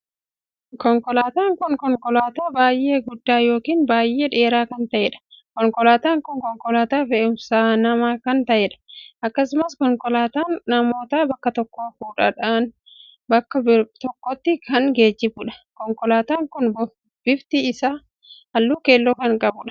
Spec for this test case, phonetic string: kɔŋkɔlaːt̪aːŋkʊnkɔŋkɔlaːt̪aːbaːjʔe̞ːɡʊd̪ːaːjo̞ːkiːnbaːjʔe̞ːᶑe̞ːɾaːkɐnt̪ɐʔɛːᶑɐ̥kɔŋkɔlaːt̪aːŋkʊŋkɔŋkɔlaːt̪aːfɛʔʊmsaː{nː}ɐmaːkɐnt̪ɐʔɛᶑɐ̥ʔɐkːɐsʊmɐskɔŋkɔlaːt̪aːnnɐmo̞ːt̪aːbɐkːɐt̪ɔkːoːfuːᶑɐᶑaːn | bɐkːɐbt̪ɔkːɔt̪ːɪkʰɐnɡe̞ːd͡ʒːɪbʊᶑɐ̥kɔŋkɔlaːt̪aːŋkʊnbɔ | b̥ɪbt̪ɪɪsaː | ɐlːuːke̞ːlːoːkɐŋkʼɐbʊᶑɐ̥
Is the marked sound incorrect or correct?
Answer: incorrect